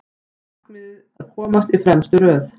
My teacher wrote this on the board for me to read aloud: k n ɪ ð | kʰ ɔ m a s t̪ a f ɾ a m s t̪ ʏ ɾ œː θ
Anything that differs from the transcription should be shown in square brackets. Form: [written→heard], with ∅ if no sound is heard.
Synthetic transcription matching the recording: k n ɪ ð | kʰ [ɔ→ɔː] m a s t̪ [a→i] f ɾ [a→ɛ] m s t̪ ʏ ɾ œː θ